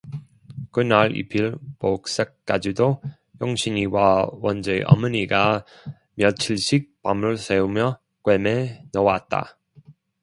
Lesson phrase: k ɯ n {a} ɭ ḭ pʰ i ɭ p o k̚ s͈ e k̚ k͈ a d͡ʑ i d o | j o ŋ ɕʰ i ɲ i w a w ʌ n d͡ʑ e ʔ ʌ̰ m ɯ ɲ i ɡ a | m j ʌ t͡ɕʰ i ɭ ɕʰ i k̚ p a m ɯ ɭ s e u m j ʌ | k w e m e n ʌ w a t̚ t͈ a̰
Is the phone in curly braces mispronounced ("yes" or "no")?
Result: no